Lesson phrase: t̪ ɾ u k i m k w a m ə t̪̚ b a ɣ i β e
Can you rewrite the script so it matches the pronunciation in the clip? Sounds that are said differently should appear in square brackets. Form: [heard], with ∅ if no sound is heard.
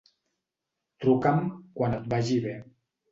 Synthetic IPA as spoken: t̪ ɾ u k [a] m k w a [n] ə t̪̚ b a [ʒ] i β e